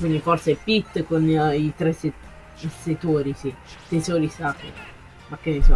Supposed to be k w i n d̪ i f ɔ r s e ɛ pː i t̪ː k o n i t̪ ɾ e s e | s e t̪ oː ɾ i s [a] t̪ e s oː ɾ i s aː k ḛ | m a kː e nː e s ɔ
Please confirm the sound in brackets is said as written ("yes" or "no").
no